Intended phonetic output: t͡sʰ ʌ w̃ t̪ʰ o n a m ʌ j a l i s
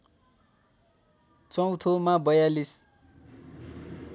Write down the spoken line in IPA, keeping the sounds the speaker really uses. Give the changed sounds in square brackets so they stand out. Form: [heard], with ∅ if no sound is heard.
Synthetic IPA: [t͡s] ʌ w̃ t̪ʰ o [m] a [b] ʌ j a l i s